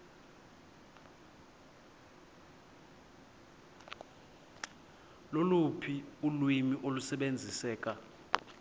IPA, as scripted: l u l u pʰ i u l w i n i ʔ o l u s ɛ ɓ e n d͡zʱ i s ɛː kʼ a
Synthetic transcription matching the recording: l o l u pʰ i u l w i m i ʔ o l u s ɛ ɓ e n d͡zʱ i s ɛː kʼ a